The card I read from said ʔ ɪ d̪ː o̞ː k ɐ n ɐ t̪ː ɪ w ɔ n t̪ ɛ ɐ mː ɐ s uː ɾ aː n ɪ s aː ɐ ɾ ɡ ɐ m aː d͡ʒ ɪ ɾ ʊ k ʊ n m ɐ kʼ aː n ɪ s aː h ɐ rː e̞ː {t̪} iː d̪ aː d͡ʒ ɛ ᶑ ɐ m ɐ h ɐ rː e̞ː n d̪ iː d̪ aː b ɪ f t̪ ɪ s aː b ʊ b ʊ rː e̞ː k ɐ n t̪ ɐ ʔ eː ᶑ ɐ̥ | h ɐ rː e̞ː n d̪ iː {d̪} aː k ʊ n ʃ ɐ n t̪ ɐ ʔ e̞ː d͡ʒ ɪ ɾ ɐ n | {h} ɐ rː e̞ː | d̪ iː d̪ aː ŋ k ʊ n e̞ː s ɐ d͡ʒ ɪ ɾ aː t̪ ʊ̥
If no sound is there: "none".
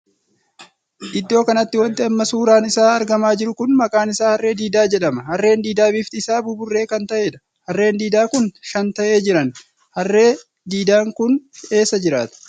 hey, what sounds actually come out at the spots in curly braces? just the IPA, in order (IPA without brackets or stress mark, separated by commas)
d̪, d̪, h